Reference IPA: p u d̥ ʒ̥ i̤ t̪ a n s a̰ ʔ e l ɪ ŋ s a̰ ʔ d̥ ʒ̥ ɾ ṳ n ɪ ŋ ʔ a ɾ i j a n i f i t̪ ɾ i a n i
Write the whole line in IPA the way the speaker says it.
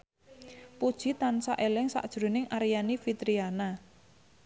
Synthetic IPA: p u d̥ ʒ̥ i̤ t̪ a n s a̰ ʔ e l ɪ ŋ s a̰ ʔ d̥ ʒ̥ ɾ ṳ n ɪ ŋ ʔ a ɾ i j a n i f i t̪ ɾ i a n a